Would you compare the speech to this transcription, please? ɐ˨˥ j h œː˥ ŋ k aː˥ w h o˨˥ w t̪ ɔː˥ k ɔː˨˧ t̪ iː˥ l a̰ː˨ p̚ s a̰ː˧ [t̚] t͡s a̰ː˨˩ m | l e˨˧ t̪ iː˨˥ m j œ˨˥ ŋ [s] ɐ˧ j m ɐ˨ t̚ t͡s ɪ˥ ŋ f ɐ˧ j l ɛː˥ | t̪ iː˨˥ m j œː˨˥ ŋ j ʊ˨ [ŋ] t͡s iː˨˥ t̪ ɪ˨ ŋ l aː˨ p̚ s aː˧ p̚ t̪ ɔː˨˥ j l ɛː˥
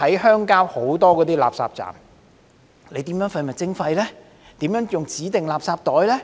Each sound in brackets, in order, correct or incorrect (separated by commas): incorrect, incorrect, correct